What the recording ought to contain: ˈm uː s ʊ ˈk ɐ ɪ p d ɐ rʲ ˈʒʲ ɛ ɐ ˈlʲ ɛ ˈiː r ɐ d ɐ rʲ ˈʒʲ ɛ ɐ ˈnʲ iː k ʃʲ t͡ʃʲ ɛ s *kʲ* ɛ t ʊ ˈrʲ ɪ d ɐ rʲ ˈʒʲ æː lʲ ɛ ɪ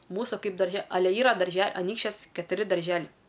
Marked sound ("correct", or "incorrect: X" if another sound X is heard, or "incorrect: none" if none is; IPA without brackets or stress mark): correct